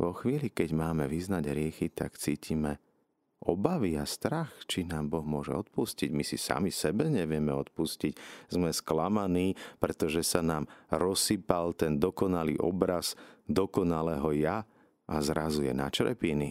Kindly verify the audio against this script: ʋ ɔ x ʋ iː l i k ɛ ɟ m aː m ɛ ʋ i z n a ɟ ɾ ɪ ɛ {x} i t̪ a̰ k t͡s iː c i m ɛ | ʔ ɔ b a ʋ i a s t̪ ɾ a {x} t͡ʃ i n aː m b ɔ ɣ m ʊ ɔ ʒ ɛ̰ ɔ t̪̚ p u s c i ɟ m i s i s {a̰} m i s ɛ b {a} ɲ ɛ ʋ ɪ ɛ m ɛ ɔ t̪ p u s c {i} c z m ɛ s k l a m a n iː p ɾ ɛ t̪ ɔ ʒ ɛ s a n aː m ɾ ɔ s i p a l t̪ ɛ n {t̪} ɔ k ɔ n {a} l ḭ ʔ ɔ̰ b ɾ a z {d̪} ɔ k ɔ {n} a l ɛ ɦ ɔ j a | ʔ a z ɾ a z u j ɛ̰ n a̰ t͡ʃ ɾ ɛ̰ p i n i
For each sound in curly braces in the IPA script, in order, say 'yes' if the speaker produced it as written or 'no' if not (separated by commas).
yes, yes, yes, no, yes, no, yes, yes, yes